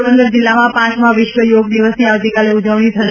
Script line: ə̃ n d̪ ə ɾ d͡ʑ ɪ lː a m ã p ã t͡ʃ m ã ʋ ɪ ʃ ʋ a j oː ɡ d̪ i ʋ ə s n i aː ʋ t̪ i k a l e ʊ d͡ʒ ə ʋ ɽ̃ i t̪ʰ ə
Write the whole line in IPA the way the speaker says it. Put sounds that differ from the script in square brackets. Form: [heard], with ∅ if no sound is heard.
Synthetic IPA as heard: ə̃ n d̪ ə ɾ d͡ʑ ɪ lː a m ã p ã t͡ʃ m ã ʋ ɪ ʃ ʋ [ə] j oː ɡ d̪ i ʋ ə s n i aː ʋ t̪ i k a l e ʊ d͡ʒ ə ʋ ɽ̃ i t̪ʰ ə